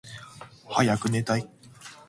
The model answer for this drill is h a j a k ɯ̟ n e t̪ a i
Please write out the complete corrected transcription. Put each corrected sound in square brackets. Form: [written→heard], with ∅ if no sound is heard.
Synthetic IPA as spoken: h a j a k ɯ̟ n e t̪ a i